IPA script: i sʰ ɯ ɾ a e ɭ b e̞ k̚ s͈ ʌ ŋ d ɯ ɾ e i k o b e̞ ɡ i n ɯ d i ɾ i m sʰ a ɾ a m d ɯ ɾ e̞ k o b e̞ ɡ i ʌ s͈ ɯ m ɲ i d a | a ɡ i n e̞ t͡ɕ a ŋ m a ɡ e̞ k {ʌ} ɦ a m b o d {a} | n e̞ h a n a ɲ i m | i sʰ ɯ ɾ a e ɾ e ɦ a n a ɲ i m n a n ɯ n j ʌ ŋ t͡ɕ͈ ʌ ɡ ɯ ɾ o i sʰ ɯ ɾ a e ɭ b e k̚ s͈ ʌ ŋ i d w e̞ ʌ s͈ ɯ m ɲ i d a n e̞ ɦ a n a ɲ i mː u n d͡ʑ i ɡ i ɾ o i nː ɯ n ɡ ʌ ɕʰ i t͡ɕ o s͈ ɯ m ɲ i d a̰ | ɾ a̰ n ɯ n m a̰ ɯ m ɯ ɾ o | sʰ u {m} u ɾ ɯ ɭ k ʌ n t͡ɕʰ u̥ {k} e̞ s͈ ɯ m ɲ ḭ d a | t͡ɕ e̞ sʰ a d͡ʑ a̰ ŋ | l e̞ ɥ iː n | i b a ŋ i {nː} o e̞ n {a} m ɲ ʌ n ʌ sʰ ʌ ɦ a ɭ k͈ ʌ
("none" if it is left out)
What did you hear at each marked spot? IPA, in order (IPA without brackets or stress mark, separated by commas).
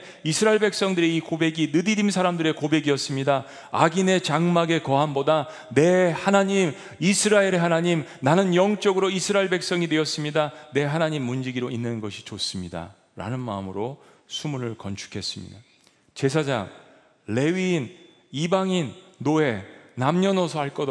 ʌ, a, m, kʰ, nː, a